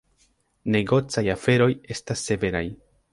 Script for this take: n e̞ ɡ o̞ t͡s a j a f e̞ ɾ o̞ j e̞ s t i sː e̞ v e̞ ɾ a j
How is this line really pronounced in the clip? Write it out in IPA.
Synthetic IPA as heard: n e̞ ɡ o̞ t͡s a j a f e̞ ɾ o̞ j e̞ s t a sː e̞ v e̞ ɾ a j